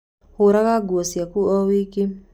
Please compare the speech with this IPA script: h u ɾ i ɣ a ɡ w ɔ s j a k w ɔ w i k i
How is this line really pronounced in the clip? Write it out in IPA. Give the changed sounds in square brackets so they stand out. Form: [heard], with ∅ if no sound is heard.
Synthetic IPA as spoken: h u ɾ [a] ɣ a ɡ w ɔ s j a k [u] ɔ w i k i